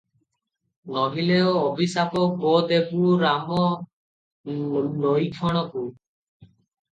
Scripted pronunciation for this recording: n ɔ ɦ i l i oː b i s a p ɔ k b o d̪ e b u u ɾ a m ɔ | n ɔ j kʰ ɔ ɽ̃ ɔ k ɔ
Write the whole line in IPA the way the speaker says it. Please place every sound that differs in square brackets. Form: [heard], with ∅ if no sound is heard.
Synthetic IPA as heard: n ɔ ɦ i l [e] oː b i s a p ɔ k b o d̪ e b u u ɾ a m ɔ | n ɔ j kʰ ɔ ɽ̃ ɔ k [u]